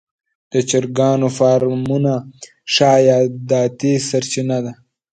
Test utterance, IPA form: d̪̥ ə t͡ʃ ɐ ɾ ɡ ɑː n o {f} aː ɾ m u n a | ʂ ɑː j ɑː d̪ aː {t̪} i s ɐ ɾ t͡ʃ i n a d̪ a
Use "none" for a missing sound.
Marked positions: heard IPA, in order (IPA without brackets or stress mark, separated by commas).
f, t̪